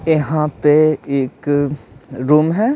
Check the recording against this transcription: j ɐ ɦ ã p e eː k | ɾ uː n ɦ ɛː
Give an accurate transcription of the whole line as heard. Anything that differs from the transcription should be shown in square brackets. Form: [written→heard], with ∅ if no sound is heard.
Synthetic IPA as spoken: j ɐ ɦ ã p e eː k | ɾ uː [n→m] ɦ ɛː